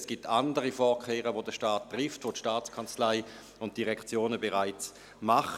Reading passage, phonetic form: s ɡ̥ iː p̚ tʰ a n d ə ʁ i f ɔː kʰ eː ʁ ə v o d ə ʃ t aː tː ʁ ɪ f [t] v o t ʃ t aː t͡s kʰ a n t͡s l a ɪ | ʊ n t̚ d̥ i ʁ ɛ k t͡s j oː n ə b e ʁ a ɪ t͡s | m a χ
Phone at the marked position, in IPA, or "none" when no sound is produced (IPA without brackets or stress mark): t